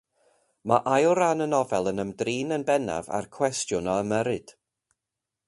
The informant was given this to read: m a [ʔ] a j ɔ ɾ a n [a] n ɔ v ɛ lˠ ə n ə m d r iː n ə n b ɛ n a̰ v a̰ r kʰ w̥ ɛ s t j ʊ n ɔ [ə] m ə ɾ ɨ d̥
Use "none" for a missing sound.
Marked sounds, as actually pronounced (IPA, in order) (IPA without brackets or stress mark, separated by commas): ʔ, ə, ə